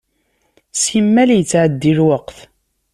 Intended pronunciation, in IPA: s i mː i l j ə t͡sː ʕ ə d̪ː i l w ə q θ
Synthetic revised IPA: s i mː æ l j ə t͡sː ʕ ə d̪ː i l w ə q θ